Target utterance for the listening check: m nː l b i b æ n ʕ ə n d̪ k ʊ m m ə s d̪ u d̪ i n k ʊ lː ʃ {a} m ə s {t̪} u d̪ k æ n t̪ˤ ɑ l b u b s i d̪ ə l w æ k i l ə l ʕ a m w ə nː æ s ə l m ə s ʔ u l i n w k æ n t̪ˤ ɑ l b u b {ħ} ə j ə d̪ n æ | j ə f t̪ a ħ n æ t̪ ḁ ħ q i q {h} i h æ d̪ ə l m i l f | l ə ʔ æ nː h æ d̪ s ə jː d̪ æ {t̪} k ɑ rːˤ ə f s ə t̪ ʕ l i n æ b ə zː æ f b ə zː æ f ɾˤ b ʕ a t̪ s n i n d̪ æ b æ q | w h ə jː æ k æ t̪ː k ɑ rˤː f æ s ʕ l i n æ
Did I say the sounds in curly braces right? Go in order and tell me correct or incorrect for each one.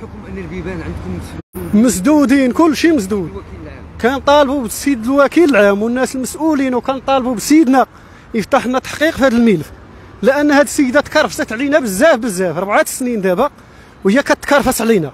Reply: incorrect: i, incorrect: d̪, incorrect: s, incorrect: f, correct

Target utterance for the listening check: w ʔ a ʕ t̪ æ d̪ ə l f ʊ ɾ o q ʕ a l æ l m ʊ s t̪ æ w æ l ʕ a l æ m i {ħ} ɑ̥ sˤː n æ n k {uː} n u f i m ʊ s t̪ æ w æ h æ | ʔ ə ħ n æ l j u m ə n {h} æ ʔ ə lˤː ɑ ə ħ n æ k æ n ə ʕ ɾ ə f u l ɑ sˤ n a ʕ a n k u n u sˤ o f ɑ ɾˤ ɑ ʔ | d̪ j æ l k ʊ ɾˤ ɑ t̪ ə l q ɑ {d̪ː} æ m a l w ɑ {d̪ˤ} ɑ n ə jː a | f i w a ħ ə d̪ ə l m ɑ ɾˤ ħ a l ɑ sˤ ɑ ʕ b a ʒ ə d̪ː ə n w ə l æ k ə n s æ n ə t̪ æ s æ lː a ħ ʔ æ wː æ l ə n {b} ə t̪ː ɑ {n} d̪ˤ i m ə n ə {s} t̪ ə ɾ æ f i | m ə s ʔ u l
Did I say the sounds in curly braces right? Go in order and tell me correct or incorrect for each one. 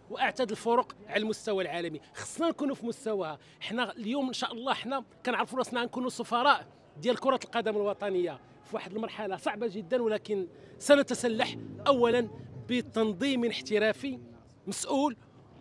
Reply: incorrect: x, incorrect: u, incorrect: ʃ, incorrect: d̪, incorrect: t̪ˤ, correct, correct, incorrect: ħ

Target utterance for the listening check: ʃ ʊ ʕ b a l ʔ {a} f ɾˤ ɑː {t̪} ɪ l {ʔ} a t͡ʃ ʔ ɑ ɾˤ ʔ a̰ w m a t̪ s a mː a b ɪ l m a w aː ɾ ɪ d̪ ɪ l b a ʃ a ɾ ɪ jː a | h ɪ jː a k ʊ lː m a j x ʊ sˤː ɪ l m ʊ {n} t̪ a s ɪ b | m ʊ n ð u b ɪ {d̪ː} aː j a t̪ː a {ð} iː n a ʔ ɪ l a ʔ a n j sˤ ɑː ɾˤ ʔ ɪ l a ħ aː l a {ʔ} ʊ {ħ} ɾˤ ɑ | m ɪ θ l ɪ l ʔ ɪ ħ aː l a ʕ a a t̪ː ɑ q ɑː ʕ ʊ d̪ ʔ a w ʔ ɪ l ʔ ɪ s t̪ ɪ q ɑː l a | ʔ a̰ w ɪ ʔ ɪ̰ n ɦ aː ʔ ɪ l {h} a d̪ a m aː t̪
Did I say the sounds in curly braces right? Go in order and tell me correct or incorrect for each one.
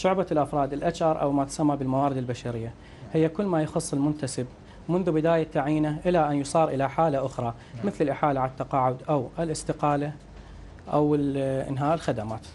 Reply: correct, incorrect: d̪, correct, correct, incorrect: d̪, incorrect: ʕ, correct, incorrect: x, incorrect: x

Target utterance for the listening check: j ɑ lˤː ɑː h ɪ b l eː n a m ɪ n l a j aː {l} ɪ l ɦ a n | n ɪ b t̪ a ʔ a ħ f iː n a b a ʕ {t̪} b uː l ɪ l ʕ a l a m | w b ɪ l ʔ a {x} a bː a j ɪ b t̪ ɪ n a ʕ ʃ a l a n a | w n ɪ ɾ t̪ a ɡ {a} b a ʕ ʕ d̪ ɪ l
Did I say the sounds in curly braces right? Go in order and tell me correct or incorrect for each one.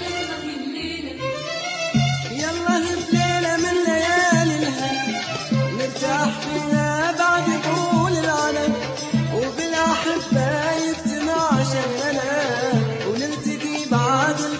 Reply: correct, incorrect: d̪, incorrect: ħ, incorrect: i

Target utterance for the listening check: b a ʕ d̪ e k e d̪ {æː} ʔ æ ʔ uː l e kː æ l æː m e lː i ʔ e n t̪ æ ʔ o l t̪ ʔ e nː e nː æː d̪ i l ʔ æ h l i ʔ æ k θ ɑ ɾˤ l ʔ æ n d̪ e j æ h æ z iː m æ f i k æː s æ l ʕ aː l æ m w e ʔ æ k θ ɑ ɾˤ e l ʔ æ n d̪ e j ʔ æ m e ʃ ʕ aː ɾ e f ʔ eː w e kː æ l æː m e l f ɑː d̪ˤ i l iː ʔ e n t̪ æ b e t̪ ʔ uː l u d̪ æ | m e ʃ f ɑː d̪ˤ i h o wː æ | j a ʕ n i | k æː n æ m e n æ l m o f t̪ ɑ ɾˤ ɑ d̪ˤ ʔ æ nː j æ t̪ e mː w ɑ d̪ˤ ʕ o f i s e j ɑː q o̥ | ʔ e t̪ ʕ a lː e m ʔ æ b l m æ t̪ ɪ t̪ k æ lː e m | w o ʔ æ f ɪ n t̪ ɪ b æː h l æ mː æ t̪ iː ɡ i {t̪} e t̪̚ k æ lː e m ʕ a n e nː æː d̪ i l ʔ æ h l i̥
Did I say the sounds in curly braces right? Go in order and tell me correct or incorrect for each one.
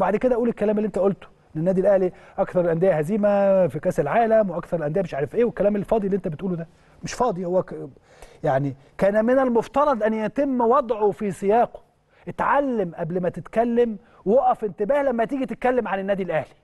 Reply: incorrect: æ, correct

